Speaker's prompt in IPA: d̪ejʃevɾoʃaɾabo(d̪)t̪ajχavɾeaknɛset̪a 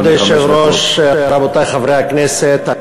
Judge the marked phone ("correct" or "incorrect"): incorrect